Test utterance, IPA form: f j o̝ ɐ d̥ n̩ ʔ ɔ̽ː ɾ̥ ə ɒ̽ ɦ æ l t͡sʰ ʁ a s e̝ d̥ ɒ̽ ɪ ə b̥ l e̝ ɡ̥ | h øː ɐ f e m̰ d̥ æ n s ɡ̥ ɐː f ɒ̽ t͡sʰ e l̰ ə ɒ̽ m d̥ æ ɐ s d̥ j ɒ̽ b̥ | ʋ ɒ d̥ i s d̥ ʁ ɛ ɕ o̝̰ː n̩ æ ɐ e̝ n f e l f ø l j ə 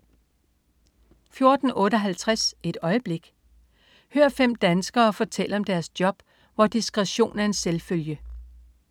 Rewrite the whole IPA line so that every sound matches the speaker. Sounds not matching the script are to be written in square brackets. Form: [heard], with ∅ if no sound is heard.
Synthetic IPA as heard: f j o̝ ɐ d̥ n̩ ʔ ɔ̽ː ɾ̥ ə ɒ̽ ɦ æ l t͡sʰ ʁ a s e̝ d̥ ɒ̽ ɪ ə b̥ l e̝ ɡ̥ | h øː ɐ f e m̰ d̥ æ n s ɡ̥ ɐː f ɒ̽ t͡sʰ e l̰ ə ɒ̽ m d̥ æ ɐ s d̥ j ɒ̽ b̥ | ʋ ɒ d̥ i s [ɡ̥] ʁ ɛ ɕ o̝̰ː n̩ æ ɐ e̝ n [s] e l f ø l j ə